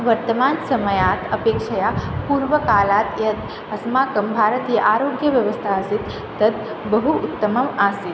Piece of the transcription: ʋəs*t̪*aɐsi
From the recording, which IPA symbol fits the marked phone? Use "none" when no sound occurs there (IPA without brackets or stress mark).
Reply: t̪ʰ